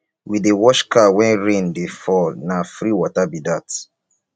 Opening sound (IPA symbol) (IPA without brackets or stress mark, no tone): w